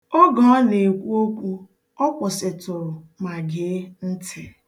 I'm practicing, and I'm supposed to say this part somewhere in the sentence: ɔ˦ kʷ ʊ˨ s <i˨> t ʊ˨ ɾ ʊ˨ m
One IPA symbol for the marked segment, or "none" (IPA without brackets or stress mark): ɪ˨